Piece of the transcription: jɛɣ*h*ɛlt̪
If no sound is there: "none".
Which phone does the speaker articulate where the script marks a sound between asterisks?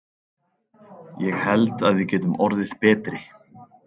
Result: h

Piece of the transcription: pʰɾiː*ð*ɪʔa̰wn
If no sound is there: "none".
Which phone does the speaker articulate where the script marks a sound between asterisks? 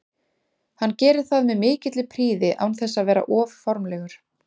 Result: ð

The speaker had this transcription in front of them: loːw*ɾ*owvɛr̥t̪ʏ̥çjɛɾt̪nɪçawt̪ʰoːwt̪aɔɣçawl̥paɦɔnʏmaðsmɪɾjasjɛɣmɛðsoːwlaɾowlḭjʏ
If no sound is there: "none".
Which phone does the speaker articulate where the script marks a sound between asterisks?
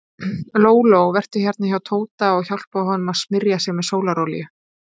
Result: l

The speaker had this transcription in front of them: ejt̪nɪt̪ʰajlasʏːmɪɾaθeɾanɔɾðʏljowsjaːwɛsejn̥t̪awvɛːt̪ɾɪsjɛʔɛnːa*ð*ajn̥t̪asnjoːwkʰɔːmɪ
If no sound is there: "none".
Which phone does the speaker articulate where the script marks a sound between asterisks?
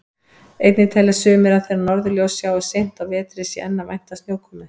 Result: v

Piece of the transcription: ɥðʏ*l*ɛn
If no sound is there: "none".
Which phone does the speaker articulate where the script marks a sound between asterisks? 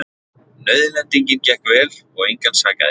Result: l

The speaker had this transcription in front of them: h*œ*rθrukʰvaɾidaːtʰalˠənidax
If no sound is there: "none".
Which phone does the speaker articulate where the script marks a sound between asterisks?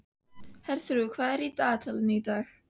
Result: ɛ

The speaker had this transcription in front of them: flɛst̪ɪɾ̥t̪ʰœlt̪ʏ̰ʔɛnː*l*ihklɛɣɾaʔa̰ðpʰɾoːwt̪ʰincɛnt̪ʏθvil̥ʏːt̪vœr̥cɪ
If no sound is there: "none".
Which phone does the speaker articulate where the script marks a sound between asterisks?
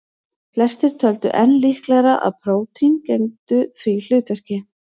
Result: l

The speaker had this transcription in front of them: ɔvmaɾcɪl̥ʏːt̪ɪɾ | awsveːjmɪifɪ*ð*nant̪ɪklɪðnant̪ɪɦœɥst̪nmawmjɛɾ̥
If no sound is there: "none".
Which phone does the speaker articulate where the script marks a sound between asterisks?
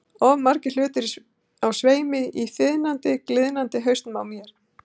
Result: ð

